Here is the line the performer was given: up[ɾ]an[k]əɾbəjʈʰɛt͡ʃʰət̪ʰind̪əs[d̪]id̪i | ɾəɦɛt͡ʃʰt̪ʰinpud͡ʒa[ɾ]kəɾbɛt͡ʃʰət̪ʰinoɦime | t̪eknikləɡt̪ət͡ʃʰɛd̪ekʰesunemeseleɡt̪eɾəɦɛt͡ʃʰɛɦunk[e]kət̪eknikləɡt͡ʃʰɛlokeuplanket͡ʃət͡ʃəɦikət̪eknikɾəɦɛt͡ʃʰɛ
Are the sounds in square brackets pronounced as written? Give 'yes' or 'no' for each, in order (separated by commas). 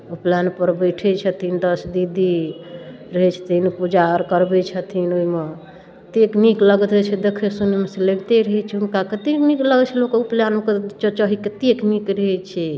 no, no, yes, yes, no